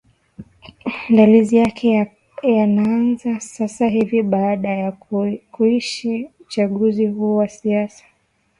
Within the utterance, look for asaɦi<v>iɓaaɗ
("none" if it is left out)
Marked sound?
v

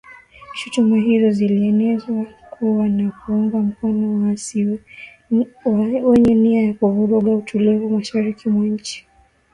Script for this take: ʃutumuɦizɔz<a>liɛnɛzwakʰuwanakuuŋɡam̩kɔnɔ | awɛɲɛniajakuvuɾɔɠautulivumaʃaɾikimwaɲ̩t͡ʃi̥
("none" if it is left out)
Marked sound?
i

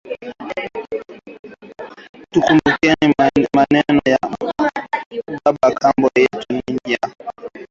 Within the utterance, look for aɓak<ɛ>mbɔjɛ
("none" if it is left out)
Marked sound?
a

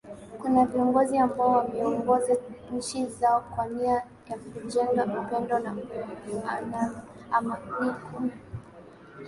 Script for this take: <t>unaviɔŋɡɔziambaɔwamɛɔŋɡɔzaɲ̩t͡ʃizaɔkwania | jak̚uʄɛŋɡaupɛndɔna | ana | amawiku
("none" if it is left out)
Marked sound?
k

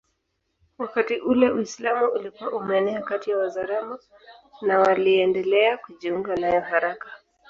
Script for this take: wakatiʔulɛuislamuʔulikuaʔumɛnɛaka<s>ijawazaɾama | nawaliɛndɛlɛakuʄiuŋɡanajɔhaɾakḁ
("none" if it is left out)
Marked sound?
t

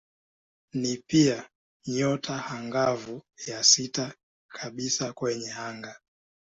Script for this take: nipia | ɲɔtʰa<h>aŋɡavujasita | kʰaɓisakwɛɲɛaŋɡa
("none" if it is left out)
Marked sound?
h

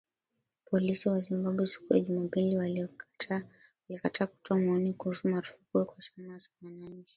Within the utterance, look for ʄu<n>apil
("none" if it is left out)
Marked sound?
m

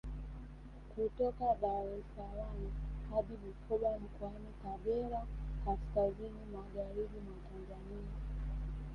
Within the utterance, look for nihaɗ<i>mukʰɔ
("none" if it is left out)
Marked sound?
i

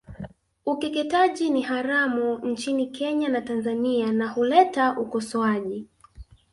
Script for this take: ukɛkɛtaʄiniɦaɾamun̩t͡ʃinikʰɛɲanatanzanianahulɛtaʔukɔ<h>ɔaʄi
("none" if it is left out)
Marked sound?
s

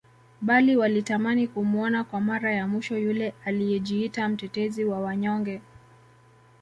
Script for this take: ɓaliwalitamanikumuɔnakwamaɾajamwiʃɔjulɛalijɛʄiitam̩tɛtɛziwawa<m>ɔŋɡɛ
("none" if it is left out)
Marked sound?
ɲ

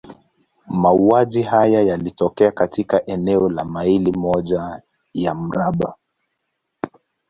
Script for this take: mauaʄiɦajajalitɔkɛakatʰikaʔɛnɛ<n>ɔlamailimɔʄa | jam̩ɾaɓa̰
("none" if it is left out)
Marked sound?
none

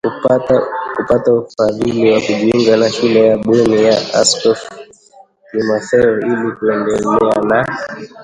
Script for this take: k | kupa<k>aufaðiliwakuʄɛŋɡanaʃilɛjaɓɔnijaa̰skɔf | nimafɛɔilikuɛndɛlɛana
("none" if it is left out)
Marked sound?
t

